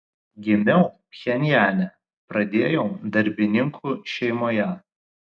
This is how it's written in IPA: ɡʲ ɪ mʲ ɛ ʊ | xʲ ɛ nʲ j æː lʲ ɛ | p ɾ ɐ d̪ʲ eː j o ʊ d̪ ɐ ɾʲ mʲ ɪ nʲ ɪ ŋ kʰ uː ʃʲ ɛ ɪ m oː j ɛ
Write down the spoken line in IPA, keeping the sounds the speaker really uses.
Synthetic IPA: ɡʲ ɪ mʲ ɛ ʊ | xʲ ɛ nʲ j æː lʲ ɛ | p ɾ ɐ d̪ʲ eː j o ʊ d̪ ɐ ɾʲ bʲ ɪ nʲ ɪ ŋ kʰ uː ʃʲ ɛ ɪ m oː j ɛ

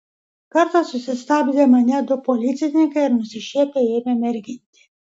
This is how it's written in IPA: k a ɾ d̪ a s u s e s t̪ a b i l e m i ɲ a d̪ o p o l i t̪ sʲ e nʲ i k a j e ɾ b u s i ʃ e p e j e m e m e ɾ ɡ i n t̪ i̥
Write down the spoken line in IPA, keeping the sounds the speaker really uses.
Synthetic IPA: k a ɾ t̪ a s u s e s t̪ a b i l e m a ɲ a d̪ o p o l i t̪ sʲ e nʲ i k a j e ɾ m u s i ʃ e p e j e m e m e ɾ ɡ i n t̪ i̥

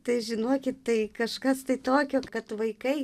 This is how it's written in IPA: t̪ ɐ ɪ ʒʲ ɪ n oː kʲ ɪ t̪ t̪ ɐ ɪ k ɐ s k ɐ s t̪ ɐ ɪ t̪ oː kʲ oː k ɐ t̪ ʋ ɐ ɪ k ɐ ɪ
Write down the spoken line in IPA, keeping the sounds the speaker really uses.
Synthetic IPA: t̪ ɐ ɪ ʒʲ ɪ n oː kʲ ɪ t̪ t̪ ɐ ɪ k ɐ ʃ k ɐ s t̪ ɐ ɪ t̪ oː kʲ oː k ɐ t̪ ʋ ɐ ɪ k ɐ ɪ

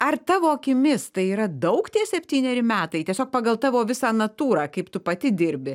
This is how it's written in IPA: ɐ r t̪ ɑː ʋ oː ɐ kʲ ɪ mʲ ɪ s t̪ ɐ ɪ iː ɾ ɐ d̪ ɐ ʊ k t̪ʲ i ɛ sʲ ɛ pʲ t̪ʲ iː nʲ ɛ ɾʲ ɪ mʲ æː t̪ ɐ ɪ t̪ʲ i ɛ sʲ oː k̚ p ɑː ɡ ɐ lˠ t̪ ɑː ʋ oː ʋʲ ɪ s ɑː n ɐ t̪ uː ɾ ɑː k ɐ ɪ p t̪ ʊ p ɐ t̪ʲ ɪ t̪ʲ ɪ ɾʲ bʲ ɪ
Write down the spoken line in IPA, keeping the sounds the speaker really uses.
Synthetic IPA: ɐ r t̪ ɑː ʋ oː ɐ kʲ ɪ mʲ ɪ s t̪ ɐ ɪ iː ɾ ɐ d̪ ɐ ʊ k t̪ʲ i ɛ sʲ ɛ pʲ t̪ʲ iː nʲ ɛ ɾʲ ɪ mʲ æː t̪ ɐ ɪ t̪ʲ i ɛ sʲ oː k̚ p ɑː ɡ ɐ lˠ t̪ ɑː ʋ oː ʋʲ ɪ s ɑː n ɐ t̪ uː ɾ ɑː k ɐ ɪ p t̪ ʊ p ɐ t̪ʲ ɪ d̪ʲ ɪ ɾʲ bʲ ɪ

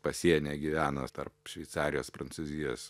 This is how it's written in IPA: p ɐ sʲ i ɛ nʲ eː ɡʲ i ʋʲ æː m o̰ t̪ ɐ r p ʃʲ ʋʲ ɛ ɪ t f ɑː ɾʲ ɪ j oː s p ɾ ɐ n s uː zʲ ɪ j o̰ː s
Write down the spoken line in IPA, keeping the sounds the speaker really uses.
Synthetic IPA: p ɐ sʲ i ɛ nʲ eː ɡʲ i ʋʲ æː n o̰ t̪ ɐ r p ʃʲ ʋʲ ɛ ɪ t s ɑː ɾʲ ɪ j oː s p ɾ ɐ n s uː zʲ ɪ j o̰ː s

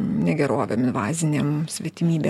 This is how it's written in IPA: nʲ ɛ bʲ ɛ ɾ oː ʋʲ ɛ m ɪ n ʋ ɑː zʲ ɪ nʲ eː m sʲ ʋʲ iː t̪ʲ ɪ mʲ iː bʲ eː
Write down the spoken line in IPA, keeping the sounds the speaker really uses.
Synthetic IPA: nʲ ɛ ɡʲ ɛ ɾ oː ʋʲ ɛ m ɪ n ʋ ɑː zʲ ɪ nʲ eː m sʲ ʋʲ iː t̪ʲ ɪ mʲ iː bʲ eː

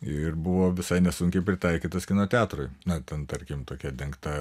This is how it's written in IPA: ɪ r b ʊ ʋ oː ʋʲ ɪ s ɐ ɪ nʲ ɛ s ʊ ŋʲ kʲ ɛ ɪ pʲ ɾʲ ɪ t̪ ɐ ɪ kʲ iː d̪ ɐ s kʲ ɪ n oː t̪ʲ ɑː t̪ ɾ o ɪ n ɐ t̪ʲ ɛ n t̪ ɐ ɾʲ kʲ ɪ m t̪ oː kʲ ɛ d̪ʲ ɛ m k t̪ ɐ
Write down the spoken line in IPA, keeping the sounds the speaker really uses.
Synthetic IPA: ɪ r b ʊ ʋ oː ʋʲ ɪ s ɐ ɪ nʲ ɛ s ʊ ŋʲ kʲ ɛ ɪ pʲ ɾʲ ɪ t̪ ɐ ɪ kʲ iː t̪ ɐ s kʲ ɪ n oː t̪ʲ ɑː t̪ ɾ o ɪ n ɐ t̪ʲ ɛ n t̪ ɐ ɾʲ kʲ ɪ m t̪ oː kʲ ɛ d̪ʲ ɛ ŋ k t̪ ɐ

